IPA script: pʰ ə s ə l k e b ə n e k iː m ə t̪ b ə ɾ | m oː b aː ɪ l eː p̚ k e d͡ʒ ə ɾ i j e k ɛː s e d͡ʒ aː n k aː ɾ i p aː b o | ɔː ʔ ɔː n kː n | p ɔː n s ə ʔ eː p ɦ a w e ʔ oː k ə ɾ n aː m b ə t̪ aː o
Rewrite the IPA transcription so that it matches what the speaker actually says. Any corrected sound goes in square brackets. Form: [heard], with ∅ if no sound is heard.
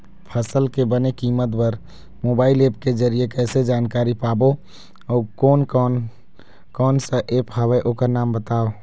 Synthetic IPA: pʰ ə s ə l k e b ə n e k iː m ə t̪ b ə ɾ | m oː b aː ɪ l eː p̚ k e d͡ʒ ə ɾ i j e k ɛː s e d͡ʒ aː n k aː ɾ i p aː b o | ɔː [k] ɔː n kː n | [k] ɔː n s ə ʔ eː p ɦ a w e ʔ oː k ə ɾ n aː m b ə t̪ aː o

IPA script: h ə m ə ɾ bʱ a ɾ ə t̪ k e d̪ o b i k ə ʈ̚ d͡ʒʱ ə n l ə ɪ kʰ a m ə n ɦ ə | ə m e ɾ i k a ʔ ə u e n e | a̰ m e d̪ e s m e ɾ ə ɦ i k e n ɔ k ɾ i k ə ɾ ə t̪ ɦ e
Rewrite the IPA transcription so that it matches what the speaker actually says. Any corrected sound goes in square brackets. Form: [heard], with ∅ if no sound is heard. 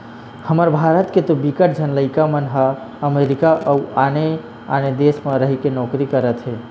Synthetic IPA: h ə m ə ɾ bʱ a ɾ ə t̪ k e [t̪] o b i k ə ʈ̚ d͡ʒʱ ə n l ə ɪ [k] a m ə n ɦ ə | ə m e ɾ i k a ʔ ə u [a] n e | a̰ [n] e d̪ e s m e ɾ ə ɦ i k e n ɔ k ɾ i k ə ɾ ə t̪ ɦ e

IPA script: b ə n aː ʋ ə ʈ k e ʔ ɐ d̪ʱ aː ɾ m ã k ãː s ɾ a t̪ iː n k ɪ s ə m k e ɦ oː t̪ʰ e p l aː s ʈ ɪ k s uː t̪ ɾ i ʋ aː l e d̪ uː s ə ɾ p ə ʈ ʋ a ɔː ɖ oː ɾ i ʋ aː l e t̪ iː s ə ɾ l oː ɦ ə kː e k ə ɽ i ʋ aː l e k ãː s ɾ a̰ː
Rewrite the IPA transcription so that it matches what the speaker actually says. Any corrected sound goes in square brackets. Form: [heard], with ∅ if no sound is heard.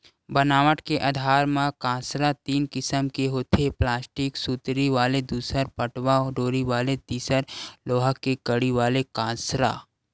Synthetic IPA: b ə n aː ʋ ə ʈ k e ʔ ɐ d̪ʱ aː ɾ m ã k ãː s ɾ a t̪ iː n k ɪ s ə m k e ɦ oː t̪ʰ e p l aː s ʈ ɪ k s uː t̪ ɾ i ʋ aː l e d̪ uː s ə ɾ p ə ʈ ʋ a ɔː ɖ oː ɾ i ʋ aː l e t̪ iː s ə ɾ l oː ɦ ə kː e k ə ɽ i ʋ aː l e k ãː s ɾ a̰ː

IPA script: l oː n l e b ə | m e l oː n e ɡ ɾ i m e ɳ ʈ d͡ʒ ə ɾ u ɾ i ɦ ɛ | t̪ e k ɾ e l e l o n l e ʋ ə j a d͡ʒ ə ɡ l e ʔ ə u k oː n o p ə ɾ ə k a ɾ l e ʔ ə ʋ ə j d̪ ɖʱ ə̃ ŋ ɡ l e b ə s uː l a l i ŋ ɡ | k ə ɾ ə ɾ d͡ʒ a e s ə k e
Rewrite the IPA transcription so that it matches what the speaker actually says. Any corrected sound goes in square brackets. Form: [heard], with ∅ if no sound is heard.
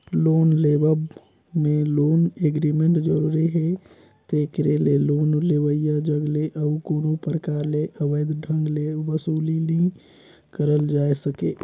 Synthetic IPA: l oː n l e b ə | m e l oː n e ɡ ɾ i m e ɳ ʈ d͡ʒ ə ɾ u ɾ i ɦ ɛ | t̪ e k ɾ e l e l o n l e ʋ ə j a d͡ʒ ə ɡ l e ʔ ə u k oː n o p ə ɾ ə k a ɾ l e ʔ ə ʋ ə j d̪ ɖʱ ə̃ ŋ ɡ l e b ə s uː l [i] l i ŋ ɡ | k ə ɾ ə [l] d͡ʒ a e s ə k e

